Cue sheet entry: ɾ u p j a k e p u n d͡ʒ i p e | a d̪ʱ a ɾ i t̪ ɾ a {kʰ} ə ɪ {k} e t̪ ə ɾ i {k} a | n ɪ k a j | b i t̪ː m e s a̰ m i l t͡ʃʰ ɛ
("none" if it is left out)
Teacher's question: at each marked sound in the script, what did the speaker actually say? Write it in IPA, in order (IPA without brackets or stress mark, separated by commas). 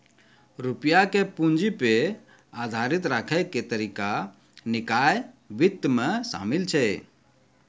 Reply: kʰ, k, k